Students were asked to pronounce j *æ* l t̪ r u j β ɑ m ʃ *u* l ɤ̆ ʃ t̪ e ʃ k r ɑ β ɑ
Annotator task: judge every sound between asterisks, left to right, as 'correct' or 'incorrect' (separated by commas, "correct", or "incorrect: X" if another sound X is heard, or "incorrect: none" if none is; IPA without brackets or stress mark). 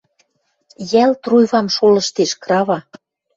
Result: correct, incorrect: o